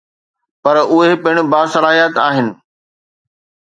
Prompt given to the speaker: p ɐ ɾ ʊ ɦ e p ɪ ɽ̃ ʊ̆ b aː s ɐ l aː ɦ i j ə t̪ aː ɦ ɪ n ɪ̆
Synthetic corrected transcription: p ɐ ɾ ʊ ɦ e p ɪ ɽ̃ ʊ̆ b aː s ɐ l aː ɦ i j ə t̪ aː ɦ ɪ n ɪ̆